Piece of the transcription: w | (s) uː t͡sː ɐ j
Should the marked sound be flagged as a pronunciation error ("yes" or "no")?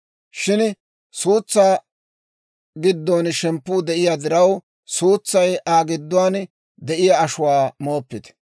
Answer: no